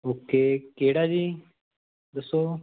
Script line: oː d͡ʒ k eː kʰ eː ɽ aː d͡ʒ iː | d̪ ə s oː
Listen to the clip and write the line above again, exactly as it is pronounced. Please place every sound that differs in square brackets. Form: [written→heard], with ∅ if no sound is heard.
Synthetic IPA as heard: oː [d͡ʒ→∅] k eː [kʰ→k] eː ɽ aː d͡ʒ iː | d̪ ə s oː